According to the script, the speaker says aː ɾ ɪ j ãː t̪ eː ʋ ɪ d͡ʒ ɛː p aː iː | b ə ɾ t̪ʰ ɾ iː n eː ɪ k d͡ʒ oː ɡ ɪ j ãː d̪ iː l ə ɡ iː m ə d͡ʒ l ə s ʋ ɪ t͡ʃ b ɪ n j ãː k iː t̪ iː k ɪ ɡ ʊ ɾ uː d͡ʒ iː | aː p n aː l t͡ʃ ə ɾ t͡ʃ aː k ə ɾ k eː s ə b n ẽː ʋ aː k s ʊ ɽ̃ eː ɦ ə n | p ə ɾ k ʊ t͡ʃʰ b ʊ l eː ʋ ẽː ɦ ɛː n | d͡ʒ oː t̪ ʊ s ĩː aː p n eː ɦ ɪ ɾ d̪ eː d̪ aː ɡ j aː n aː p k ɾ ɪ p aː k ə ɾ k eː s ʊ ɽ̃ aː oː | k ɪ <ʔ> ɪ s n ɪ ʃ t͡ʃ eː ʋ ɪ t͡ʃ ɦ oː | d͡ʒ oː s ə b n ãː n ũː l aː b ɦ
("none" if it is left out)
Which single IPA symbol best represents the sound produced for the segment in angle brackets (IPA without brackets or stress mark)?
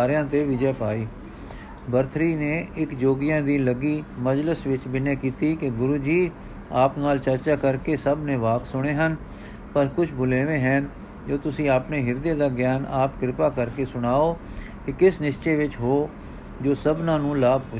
k